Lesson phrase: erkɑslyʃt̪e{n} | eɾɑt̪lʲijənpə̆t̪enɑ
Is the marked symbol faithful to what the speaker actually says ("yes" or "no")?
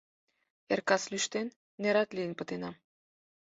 no